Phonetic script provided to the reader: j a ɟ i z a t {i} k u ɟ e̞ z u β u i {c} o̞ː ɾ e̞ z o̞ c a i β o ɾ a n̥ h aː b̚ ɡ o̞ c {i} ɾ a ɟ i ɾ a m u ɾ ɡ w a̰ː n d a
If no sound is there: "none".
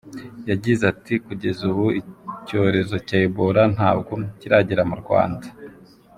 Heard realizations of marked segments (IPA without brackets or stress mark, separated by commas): i, c, i